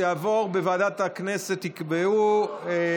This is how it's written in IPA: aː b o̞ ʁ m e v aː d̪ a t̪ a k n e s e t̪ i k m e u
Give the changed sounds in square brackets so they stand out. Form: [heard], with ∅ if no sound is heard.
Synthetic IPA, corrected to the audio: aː [v] o̞ ʁ [b] e v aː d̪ a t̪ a k n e s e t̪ i k [b] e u